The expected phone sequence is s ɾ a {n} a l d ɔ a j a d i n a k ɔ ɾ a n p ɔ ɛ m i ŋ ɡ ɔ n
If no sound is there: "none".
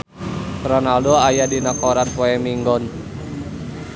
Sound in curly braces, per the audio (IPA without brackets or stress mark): n